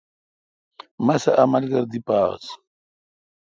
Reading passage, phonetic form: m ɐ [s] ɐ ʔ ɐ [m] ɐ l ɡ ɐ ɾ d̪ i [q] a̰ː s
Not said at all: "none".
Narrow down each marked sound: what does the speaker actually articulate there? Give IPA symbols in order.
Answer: s, m, p

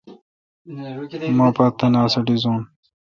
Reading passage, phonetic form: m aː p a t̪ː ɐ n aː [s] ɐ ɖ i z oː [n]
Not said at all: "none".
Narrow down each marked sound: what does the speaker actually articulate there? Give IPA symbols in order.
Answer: s, n

